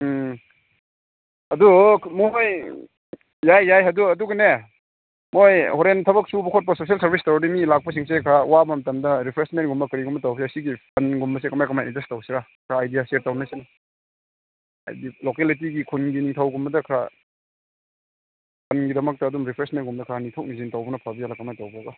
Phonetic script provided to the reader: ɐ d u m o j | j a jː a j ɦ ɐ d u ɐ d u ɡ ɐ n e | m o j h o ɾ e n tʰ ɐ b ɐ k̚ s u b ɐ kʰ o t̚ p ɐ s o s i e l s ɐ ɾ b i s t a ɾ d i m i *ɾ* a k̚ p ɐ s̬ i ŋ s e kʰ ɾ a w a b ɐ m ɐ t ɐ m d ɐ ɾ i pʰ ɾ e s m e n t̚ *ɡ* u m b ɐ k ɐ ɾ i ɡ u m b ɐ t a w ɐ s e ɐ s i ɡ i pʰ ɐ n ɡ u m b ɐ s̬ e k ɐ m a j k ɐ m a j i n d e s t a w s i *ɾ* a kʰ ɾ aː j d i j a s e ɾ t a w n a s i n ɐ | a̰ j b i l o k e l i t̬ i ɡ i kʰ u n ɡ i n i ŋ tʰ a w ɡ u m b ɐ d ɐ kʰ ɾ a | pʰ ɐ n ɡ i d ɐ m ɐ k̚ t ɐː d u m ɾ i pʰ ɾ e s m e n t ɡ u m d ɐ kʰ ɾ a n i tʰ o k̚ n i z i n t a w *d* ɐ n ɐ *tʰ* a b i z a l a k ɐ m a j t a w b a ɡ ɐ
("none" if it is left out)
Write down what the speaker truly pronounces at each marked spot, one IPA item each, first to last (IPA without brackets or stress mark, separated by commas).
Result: l, ɡ, ɾ, b, pʰ